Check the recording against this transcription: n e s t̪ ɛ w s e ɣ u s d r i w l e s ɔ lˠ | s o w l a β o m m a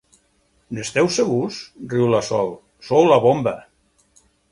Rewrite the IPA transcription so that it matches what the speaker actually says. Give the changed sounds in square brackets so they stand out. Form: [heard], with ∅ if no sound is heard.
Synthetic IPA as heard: n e s t̪ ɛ w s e ɣ u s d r i w l [a] s ɔ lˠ | s o w l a β o m [b] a

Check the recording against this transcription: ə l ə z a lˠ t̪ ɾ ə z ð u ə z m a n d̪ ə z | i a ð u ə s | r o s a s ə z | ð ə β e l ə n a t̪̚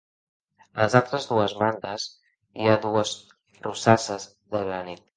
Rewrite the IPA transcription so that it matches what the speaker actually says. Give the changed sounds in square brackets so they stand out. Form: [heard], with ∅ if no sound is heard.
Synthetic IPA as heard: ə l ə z a lˠ t̪ ɾ ə z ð u ə z m a n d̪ ə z | i a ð u ə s | r [u] s a s ə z | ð ə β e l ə n [i] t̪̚

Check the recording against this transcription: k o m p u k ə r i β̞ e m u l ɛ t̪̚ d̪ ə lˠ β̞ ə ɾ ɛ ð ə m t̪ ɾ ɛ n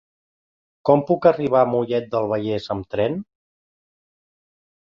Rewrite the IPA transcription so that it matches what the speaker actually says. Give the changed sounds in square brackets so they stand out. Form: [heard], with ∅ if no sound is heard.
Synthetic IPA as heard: k [ɔ] m p u k ə r i β̞ [a] m u [ʎ] ɛ t̪̚ d̪ ə lˠ β̞ ə [ʎ] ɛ [z] ə m t̪ ɾ ɛ n

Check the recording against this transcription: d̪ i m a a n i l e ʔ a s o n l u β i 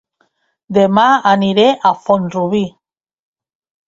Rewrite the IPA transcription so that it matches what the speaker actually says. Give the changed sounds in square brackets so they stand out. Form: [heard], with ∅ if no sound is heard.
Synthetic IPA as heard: d̪ [e] m a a n i [ɾ] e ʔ a [f] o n [r] u β i

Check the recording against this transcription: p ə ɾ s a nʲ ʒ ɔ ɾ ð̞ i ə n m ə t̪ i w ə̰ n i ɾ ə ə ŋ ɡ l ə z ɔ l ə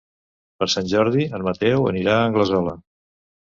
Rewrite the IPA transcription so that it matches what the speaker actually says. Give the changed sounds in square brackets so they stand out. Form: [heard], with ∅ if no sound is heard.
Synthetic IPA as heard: p ə ɾ s a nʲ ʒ ɔ ɾ ð̞ i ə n m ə t̪ [ɛ] w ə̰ n i ɾ [a] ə ŋ ɡ l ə z ɔ l ə

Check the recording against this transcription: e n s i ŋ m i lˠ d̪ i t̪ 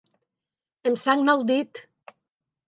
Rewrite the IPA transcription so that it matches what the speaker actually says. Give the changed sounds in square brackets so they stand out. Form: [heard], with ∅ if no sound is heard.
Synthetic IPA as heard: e [m] s [a] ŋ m [a] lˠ d̪ i t̪

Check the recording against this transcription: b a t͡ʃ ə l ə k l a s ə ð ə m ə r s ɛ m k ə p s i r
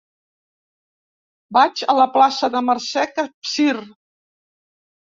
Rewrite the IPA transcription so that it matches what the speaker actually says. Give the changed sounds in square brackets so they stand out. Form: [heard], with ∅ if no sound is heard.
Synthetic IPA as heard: b a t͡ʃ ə l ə [p] l a s ə ð ə m ə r s ɛ [∅] k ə p s i r

